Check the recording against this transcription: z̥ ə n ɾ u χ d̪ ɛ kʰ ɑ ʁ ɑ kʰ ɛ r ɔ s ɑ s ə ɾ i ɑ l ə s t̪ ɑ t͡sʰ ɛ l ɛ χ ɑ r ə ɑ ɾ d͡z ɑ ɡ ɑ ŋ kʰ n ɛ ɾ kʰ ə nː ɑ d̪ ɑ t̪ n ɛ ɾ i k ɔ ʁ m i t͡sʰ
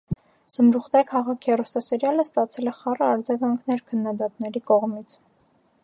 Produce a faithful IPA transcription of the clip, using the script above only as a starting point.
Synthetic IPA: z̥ ə m ɾ u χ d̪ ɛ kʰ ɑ ʁ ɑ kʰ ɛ r ɔ s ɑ s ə ɾ j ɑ l ə s t̪ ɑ t͡sʰ ɛ l ɛ χ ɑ r ə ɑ ɾ d͡z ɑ ɡ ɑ ŋ kʰ n ɛ ɾ kʰ ə nː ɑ d̪ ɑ t̪ n ɛ ɾ i k ɔ ʁ m i t͡sʰ